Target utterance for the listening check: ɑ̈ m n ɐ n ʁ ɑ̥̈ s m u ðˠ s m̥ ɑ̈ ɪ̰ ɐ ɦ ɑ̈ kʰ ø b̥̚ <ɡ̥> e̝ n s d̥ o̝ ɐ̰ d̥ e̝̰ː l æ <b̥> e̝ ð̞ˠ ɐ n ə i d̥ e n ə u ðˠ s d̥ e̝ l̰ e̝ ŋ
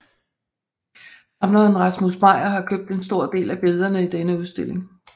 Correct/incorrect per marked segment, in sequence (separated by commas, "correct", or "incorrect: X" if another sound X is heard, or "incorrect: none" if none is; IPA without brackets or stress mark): incorrect: d̥, correct